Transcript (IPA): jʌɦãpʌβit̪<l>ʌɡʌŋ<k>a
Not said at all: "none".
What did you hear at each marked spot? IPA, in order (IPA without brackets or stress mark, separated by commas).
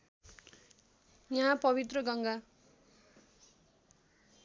r, ɡ